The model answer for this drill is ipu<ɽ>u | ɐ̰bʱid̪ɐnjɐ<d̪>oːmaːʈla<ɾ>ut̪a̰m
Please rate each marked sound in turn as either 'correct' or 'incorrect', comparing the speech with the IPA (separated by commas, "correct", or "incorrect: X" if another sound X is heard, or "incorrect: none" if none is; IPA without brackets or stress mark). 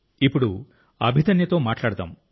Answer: correct, incorrect: t̪, incorrect: ɽ